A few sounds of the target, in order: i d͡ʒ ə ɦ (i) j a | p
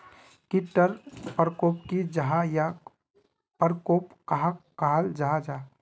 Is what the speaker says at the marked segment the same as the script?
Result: no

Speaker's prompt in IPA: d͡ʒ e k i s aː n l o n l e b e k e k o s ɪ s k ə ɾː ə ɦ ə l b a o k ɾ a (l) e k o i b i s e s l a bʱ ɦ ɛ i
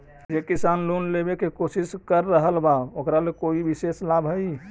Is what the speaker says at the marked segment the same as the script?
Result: yes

